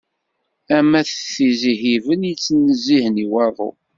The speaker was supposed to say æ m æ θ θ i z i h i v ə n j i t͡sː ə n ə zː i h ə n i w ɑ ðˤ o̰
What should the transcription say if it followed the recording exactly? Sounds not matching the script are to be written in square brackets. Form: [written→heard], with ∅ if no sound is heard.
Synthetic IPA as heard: æ m æ θ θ i z i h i v ə n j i t͡sː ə n ə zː i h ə n i w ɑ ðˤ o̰